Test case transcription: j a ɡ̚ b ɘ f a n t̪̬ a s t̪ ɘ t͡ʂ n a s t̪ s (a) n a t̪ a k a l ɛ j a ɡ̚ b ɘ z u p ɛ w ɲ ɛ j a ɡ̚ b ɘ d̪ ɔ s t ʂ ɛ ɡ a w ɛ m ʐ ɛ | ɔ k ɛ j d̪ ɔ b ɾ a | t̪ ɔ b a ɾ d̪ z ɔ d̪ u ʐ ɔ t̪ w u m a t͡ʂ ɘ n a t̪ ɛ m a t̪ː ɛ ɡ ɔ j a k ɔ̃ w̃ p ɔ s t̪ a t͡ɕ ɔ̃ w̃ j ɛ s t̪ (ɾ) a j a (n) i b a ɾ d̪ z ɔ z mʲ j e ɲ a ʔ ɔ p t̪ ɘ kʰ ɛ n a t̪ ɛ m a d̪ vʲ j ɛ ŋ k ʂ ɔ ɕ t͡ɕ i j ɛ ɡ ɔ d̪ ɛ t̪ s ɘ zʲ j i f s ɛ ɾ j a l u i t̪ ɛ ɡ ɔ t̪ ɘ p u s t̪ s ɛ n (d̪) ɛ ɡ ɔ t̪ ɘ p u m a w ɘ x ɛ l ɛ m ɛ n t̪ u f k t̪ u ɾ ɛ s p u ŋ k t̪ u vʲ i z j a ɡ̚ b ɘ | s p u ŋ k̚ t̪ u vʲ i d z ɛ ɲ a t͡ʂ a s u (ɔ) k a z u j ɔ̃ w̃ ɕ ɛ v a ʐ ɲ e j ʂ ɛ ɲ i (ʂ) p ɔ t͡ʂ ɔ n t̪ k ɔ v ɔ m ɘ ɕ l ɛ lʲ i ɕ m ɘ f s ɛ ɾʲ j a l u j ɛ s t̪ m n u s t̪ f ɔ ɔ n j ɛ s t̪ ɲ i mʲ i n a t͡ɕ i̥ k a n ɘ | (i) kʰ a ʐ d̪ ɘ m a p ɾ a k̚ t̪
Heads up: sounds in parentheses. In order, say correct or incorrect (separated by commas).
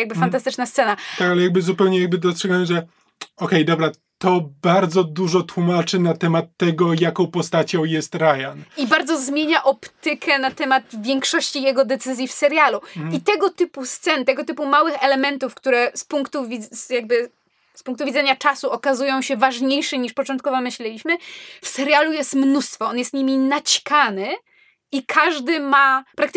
incorrect, correct, correct, incorrect, correct, correct, correct